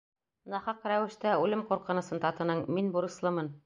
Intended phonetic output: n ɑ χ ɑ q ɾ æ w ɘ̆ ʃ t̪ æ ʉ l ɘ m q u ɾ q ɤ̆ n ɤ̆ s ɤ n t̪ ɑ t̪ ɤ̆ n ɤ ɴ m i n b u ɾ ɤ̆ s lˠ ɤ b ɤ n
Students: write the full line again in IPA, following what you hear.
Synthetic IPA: n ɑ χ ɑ q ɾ æ w ɘ̆ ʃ t̪ æ ʉ l ɘ m q u ɾ q ɤ̆ n ɤ̆ s ɤ n t̪ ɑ t̪ ɤ̆ n ɤ ɴ m i n b u ɾ ɤ̆ s lˠ ɤ m ɤ n